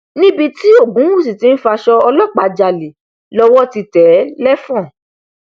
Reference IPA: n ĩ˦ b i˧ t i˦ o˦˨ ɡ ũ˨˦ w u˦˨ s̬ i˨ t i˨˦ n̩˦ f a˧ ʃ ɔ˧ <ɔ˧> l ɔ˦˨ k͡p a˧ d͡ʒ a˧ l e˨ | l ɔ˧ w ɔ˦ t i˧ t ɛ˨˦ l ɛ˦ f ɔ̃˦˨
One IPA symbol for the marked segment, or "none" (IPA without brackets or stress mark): ɔ˧